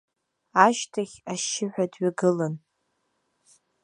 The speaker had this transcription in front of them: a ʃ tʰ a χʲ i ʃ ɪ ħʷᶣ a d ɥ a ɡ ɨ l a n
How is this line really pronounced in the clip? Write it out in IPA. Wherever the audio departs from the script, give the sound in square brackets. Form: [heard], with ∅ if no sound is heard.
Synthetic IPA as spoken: a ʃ tʰ a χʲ [a] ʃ ɪ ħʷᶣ a d ɥ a ɡ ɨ l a n